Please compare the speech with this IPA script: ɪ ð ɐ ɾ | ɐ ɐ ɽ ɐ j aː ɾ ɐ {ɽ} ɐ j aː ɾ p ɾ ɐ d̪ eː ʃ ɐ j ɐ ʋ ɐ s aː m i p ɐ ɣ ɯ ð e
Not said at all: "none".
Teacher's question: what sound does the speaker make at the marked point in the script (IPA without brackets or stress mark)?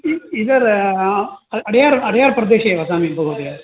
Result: ɽ